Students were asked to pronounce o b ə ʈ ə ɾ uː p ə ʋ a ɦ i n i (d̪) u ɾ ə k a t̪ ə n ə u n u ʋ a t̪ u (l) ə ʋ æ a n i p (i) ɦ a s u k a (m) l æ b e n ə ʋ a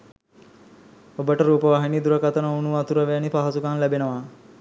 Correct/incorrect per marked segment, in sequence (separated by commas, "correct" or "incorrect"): correct, incorrect, incorrect, incorrect